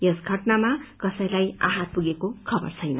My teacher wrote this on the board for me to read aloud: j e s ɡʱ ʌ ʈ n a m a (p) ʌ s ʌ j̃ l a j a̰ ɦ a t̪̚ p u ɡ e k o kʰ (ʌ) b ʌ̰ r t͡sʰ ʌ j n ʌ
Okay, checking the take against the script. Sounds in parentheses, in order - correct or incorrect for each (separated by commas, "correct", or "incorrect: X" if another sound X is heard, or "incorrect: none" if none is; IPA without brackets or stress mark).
incorrect: k, correct